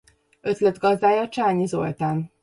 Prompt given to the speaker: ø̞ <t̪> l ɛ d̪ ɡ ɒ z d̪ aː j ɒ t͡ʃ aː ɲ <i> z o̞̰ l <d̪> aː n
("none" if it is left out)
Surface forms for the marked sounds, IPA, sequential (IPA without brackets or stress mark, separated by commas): t̪, i, t̪